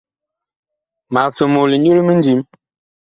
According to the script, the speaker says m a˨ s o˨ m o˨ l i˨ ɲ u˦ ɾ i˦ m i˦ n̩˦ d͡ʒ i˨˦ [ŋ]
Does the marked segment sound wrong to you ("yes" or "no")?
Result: yes